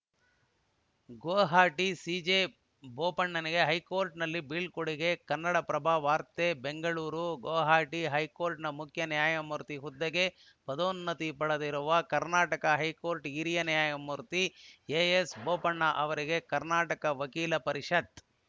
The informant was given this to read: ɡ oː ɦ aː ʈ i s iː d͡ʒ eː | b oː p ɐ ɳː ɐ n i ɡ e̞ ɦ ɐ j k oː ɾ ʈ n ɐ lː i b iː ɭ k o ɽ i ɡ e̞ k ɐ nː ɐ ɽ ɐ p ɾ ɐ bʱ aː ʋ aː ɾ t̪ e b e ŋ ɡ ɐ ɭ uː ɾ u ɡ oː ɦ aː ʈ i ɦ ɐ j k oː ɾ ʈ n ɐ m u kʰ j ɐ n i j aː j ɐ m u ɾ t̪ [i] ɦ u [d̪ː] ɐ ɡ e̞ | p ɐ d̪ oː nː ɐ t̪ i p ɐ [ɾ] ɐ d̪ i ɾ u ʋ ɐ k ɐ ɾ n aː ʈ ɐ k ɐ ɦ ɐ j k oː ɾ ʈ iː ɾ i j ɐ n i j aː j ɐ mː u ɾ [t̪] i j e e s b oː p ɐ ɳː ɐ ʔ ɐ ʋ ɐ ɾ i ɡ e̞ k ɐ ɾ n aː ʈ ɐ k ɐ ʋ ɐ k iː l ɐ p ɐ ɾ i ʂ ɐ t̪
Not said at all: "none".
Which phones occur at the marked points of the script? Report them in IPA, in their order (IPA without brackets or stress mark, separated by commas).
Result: i, d̪ː, ɽ, t̪